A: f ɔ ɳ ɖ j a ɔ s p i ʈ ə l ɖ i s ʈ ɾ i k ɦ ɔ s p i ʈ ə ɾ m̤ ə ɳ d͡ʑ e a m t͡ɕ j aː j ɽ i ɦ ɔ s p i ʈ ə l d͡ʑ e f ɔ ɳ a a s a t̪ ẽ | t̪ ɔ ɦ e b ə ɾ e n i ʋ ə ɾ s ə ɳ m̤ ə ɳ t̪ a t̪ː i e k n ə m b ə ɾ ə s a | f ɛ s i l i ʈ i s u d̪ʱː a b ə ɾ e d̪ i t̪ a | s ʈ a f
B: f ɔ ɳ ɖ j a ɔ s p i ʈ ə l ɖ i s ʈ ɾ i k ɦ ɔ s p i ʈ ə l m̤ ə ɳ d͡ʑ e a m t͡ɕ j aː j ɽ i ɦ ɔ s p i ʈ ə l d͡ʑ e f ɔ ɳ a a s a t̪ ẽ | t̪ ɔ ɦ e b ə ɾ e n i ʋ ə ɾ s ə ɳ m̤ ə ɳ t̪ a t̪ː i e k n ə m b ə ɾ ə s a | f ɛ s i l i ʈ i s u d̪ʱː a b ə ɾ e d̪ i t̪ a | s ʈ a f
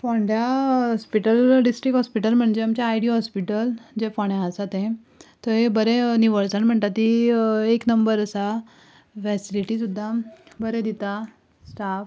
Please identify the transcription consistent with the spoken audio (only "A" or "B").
B